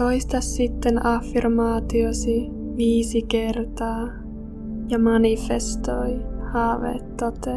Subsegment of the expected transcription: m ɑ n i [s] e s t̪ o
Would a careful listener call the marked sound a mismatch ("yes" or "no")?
yes